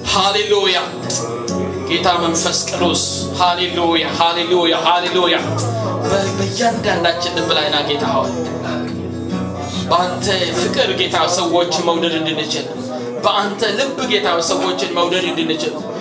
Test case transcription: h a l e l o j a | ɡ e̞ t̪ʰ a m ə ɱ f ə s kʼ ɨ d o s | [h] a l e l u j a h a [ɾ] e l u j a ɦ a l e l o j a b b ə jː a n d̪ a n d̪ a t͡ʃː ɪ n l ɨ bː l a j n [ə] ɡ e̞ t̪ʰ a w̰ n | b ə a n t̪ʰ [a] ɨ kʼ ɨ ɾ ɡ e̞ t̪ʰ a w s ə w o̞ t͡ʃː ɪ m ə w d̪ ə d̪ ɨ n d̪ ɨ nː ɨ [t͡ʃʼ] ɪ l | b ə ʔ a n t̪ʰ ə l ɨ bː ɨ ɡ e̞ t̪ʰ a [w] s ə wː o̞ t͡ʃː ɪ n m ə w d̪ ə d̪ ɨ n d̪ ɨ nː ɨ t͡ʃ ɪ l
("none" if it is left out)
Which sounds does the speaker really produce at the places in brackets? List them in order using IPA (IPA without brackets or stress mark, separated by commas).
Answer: h, l, a, ə, t͡ʃ, w